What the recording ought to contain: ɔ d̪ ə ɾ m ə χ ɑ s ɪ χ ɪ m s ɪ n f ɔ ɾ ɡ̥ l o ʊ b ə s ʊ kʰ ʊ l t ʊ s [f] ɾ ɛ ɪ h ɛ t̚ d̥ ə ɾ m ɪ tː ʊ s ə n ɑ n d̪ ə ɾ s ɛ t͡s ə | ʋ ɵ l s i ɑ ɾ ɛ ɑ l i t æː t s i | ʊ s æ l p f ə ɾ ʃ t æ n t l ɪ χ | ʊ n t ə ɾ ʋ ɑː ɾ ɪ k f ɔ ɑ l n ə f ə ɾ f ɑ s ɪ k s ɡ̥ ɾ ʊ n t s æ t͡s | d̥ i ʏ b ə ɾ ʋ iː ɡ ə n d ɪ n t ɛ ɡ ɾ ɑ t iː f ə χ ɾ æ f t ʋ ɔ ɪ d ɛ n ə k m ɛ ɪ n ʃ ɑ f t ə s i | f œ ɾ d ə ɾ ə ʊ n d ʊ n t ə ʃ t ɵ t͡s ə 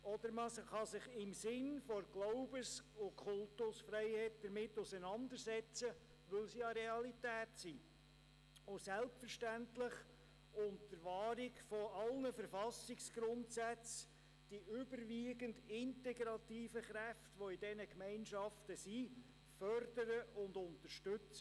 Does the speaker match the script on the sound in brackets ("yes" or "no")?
yes